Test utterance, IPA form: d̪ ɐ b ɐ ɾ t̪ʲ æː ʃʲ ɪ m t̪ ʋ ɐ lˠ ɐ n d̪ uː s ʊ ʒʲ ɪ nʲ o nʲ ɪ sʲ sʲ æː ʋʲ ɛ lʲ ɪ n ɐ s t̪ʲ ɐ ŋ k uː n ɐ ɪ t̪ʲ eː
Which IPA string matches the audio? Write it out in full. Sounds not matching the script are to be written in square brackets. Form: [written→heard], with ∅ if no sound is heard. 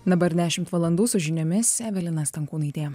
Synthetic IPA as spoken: d̪ ɐ b ɐ ɾ [t̪ʲ→d̪ʲ] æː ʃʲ ɪ m t̪ ʋ ɐ lˠ ɐ n d̪ uː s ʊ ʒʲ ɪ nʲ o [nʲ→mʲ] ɪ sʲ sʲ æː ʋʲ ɛ lʲ ɪ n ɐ s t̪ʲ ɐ ŋ k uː n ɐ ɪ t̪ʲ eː